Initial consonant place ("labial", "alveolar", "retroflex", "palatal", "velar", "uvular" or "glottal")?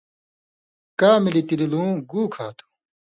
velar